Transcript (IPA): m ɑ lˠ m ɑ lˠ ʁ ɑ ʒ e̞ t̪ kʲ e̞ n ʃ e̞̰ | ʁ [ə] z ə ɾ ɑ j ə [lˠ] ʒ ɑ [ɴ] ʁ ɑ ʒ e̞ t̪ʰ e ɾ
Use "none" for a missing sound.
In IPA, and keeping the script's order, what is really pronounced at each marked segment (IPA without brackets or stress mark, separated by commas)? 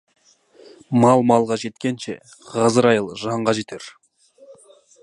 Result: ɑ, lˠ, ɴ